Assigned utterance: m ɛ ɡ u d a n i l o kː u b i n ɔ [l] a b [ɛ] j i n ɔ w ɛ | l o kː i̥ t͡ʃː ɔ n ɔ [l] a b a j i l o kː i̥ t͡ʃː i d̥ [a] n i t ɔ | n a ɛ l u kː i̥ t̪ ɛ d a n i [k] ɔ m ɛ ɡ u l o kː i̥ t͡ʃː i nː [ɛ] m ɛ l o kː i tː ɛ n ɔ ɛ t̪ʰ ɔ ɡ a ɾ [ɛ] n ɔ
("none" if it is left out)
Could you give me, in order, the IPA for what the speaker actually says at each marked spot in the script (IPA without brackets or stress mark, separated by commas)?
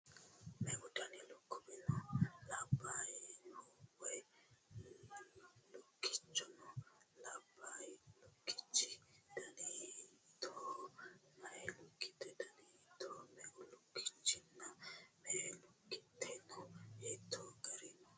l, a, l, a, t, a, i